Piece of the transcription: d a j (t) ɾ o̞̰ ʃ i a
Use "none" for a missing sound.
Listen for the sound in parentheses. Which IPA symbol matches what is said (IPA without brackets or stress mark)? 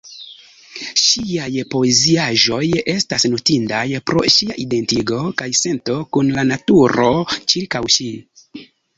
p